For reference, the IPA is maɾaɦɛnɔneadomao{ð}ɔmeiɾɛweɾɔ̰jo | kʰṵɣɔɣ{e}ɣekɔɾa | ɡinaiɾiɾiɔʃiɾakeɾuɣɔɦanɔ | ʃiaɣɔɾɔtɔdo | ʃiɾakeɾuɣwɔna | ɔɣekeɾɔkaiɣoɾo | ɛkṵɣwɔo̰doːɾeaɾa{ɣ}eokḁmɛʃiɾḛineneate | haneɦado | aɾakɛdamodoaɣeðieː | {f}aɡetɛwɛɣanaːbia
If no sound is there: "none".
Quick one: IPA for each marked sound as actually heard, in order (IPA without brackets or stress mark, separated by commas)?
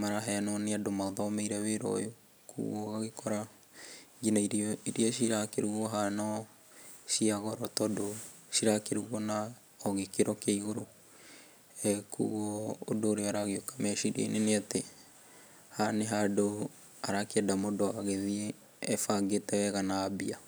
ð, a, ɣ, f